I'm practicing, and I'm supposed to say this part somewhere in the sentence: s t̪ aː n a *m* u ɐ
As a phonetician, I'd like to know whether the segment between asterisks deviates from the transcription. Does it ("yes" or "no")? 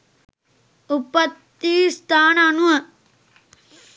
yes